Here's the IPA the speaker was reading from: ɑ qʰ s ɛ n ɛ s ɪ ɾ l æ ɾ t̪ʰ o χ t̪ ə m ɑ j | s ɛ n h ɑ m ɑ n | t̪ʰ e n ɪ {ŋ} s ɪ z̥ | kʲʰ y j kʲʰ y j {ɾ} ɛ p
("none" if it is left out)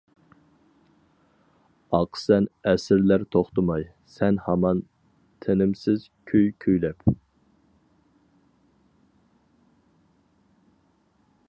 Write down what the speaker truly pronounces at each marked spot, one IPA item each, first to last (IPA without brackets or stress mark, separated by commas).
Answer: m, l